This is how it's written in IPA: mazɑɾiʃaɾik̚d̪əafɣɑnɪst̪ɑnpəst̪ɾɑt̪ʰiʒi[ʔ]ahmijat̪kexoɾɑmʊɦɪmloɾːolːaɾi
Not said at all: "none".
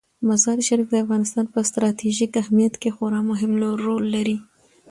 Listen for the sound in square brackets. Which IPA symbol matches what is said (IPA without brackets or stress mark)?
k